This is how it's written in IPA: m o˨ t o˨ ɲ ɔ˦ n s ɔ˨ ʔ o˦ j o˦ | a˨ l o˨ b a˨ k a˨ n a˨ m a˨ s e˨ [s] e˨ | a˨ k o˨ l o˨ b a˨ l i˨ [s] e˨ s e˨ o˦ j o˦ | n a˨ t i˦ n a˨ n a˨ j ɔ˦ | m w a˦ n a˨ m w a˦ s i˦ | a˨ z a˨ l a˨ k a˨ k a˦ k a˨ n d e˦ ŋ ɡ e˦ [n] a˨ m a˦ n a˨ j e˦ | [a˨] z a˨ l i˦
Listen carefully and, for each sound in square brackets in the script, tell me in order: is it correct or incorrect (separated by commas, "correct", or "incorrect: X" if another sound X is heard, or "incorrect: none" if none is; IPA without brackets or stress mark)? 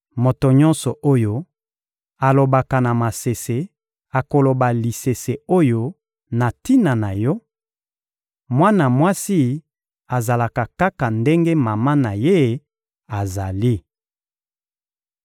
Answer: correct, correct, incorrect: m, correct